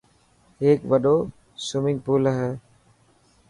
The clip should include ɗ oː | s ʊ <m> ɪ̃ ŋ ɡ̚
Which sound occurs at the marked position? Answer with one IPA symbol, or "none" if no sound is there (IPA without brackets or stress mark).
m